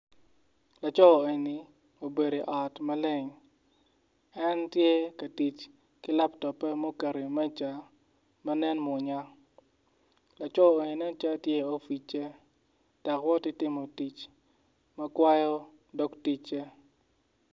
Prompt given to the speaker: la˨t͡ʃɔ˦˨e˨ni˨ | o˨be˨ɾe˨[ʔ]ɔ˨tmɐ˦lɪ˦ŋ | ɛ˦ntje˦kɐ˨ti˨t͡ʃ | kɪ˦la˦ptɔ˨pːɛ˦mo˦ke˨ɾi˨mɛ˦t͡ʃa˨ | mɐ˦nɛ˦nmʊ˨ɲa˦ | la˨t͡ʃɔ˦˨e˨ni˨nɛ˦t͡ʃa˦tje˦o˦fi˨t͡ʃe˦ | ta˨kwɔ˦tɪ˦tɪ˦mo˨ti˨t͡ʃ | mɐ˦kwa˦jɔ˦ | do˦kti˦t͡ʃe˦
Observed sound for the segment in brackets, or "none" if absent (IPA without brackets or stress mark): ʔ